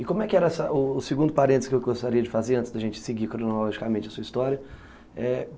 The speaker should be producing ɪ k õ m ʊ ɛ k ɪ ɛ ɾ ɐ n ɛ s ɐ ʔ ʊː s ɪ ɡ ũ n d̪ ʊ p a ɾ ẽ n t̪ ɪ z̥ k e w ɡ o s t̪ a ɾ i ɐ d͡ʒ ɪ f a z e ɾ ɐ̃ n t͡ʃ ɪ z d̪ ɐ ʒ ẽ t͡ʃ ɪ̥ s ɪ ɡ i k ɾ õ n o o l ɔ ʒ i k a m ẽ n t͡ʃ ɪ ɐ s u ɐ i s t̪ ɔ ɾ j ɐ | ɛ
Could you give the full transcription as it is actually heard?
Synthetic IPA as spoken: ɪ k õ m ʊ ɛ k ɪ ɛ ɾ ɐ ɛ s ɐ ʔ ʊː s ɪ ɡ ũ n d̪ ʊ p a ɾ ẽ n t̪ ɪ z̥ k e w ɡ o s t̪ a ɾ i ɐ d͡ʒ ɪ f a z e ɾ ɐ̃ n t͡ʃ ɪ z d̪ ɐ ʒ ẽ t͡ʃ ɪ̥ s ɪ ɡ i k ɾ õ n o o l ɔ ʒ i k a m ẽ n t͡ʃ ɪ ɐ s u ɐ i s t̪ ɔ ɾ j ɐ | ɛ